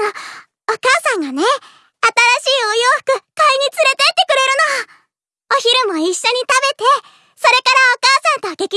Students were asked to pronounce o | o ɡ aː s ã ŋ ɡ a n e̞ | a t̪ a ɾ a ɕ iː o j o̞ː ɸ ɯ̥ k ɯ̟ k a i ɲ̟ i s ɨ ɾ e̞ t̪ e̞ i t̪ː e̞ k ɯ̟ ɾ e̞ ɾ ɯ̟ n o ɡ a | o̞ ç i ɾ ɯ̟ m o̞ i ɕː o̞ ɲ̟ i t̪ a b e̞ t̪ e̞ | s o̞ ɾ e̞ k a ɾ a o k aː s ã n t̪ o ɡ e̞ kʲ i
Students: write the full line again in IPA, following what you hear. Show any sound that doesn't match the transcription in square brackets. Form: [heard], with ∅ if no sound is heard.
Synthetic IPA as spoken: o | o [k] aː s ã ŋ ɡ a n e̞ | a t̪ a ɾ a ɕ iː o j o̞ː ɸ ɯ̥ k ɯ̟ k a i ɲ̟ i [t͡s] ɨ ɾ e̞ t̪ e̞ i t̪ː e̞ k ɯ̟ ɾ e̞ ɾ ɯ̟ n o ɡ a | o̞ ç i ɾ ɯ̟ m o̞ i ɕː o̞ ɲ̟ i t̪ a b e̞ t̪ e̞ | s o̞ ɾ e̞ k a ɾ a o k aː s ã n t̪ o ɡ e̞ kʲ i